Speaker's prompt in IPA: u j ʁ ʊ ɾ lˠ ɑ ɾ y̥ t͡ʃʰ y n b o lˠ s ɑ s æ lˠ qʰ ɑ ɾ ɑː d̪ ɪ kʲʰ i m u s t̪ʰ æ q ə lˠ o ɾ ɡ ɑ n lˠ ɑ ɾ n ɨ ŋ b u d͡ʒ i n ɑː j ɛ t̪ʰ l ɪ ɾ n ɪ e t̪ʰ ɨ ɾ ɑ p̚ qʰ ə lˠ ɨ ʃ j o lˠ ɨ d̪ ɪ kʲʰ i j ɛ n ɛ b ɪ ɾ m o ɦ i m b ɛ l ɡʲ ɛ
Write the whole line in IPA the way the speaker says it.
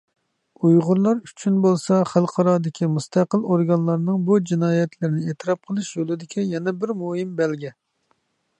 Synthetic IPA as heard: u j ʁ ʊ ɾ lˠ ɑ ɾ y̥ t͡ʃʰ y n b o lˠ s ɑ χ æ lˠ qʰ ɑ ɾ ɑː d̪ ɪ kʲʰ i m u s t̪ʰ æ q ə lˠ o ɾ ɡ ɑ n lˠ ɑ ɾ n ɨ ŋ b u d͡ʒ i n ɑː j ɛ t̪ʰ l ɪ ɾ n ɪ e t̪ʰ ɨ ɾ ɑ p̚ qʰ ə lˠ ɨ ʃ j o lˠ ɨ d̪ ɪ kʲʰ i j ɛ n ɛ b ɪ ɾ m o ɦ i m b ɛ l ɡʲ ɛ